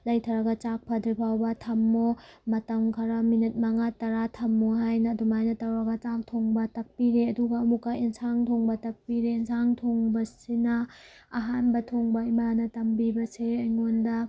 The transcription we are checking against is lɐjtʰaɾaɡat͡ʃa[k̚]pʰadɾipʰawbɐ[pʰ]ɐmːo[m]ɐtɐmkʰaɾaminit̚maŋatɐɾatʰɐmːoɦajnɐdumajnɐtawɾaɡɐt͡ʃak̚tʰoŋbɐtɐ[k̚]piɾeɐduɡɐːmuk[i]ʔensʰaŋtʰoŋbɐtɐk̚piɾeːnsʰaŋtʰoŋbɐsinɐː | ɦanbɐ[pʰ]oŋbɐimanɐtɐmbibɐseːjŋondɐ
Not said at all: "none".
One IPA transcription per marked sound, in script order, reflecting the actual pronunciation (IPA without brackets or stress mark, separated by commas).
k̚, tʰ, m, k̚, a, tʰ